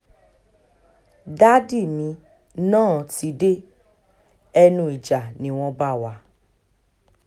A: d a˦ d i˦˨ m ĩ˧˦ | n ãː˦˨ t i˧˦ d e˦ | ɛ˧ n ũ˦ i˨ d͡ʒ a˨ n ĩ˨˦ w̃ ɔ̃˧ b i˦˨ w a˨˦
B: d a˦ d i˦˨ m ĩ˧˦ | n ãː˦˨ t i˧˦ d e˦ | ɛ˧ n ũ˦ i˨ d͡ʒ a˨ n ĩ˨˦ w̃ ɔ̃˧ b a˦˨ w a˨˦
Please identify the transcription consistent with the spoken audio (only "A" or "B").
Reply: B